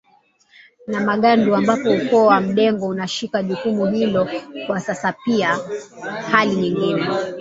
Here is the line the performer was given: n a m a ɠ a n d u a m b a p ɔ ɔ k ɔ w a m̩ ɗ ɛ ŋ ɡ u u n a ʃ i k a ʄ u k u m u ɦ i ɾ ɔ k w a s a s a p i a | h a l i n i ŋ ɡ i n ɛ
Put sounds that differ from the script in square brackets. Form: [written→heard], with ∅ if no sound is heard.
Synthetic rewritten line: n a m a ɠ a n d u a m b a p ɔ [ɔ→u] k ɔ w a m̩ ɗ ɛ ŋ ɡ [u→ɔ] u n a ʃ i k a ʄ u k u m u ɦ i [ɾ→l] ɔ k w a s a s a p i a | h a l i [n→ɲ] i ŋ ɡ i n ɛ